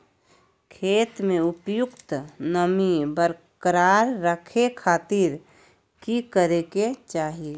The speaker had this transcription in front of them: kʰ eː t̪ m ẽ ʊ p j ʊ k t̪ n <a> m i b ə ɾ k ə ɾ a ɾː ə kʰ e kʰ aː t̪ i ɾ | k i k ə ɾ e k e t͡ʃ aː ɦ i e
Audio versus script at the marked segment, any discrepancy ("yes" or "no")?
yes